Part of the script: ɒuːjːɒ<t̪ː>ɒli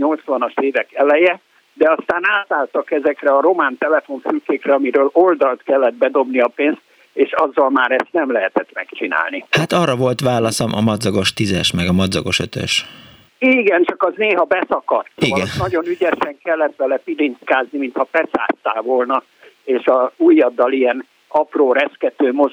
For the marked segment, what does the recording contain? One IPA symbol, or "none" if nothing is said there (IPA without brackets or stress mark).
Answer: d̪ː